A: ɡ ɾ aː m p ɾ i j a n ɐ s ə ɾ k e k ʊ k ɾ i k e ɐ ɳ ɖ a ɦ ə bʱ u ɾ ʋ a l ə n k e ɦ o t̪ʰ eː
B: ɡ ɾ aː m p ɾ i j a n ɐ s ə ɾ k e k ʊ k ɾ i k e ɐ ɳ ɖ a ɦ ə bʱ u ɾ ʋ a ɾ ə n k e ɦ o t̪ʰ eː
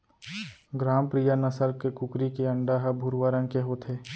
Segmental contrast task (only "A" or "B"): B